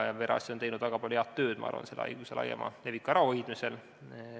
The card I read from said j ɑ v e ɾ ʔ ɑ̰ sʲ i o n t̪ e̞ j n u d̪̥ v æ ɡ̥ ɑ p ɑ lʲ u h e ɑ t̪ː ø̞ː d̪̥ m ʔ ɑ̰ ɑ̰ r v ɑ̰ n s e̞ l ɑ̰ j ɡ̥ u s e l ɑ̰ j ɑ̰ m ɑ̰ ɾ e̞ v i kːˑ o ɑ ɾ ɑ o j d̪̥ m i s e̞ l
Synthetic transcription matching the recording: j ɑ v e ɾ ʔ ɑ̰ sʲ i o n t̪ e̞ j n u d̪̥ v æ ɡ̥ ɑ p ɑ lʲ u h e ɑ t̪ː ø̞ː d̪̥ m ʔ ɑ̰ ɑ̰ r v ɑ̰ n s e̞ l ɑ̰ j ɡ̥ u s e l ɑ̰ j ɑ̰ m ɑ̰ l e̞ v i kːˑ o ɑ ɾ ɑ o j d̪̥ m i s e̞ l